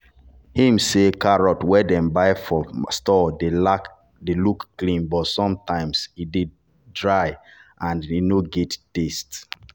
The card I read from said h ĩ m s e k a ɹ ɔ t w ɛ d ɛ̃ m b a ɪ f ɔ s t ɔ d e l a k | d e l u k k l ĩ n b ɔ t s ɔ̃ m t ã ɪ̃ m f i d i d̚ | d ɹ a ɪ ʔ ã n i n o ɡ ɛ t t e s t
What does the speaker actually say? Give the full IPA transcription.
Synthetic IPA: h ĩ m s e k a ɹ ɔ t w ɛ d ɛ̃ m b a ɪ f ɔ s t ɔ d e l a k | d e l u k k l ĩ n b ɔ t s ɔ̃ m t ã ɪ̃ m s i d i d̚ | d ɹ a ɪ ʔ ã n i n o ɡ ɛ t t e s t